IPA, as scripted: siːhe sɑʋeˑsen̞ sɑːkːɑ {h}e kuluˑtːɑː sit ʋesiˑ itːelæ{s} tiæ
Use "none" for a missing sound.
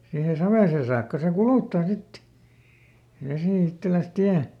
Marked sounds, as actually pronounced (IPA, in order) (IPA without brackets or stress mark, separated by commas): s, s